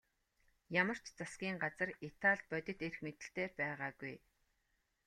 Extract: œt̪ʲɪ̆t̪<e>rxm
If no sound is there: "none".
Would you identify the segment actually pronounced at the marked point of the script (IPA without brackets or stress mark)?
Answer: e